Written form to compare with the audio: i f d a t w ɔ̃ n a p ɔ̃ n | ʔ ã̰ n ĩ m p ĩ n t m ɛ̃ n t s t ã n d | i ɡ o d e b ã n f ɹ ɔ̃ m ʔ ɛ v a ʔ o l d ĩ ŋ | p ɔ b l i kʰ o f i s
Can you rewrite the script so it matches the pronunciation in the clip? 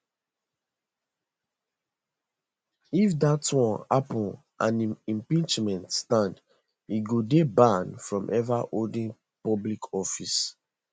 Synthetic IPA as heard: i f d a t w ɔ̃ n a p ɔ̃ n | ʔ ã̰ n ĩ m p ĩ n t͡ʃ m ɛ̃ n t s t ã n d | i ɡ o d e b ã n f ɹ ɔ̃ m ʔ ɛ v a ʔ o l d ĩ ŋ | p ɔ b l i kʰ ɔ f i s